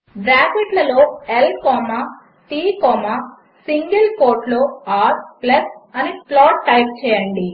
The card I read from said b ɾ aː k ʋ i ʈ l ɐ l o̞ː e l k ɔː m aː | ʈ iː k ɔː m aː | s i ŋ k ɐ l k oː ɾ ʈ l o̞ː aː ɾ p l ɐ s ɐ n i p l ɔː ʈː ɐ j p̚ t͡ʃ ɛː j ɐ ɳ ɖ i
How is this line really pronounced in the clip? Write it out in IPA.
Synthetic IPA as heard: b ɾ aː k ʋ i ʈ l ɐ l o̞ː e l k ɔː m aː | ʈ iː k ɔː m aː | s i ŋ ɡ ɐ l k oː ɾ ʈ l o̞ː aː ɾ p l ɐ s ɐ n i p l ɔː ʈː ɐ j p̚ t͡ʃ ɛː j ɐ ɳ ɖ i